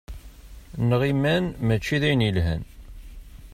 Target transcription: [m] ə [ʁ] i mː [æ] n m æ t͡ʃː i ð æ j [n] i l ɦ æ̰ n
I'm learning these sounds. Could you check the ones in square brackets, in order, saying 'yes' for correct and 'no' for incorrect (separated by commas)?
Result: no, yes, yes, yes